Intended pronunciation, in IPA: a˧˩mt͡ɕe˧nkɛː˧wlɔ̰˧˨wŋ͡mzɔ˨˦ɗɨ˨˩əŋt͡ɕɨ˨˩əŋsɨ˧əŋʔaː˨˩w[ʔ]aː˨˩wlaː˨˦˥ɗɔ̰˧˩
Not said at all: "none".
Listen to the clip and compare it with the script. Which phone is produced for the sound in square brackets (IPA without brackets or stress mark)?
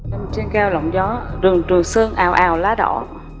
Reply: ʔ